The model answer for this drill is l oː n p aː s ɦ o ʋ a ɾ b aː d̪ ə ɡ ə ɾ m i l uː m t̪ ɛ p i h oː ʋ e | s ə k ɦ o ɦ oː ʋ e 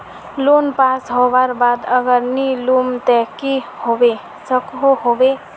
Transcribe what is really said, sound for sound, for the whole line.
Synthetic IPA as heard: l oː n p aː s ɦ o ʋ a ɾ b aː d̪ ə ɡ ə ɾ n i l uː m t̪ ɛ k i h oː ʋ e | s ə k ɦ o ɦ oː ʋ e